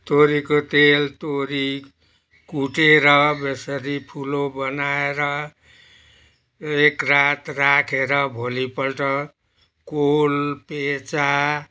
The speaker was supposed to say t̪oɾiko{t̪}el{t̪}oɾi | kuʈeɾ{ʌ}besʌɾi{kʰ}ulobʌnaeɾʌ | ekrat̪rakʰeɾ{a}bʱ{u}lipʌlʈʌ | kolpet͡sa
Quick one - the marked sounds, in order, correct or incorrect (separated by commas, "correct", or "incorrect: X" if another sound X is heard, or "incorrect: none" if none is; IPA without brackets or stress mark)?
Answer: correct, correct, correct, incorrect: pʰ, incorrect: ʌ, incorrect: o